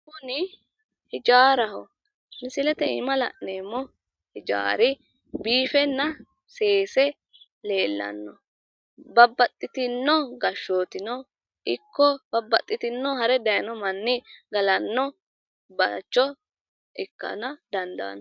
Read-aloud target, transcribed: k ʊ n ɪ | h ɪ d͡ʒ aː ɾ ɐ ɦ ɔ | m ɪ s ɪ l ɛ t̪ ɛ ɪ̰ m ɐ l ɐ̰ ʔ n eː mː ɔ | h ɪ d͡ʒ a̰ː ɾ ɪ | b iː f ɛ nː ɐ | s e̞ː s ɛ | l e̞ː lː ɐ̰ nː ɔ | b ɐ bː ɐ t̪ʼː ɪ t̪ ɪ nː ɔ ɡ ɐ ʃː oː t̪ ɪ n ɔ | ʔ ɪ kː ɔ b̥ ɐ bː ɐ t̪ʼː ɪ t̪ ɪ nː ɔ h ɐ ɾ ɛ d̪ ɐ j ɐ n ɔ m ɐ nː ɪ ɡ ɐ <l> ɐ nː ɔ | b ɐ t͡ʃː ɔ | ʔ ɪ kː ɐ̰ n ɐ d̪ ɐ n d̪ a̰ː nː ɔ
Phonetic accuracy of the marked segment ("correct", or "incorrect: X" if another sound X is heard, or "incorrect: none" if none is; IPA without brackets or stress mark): correct